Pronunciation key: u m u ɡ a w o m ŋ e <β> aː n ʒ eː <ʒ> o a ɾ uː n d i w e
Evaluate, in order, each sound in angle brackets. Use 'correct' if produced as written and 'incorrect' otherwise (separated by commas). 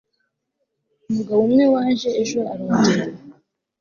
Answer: incorrect, correct